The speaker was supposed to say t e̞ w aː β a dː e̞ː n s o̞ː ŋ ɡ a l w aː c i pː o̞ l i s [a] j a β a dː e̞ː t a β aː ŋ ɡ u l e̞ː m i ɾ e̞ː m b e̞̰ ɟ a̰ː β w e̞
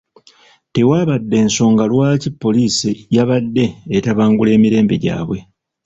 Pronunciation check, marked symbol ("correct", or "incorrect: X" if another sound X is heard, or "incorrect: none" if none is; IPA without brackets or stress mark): incorrect: i